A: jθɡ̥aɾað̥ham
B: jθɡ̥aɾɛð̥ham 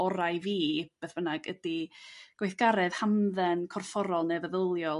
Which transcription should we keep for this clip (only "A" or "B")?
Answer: B